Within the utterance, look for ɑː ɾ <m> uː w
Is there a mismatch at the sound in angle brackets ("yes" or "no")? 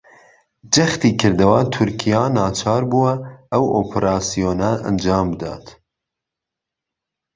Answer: yes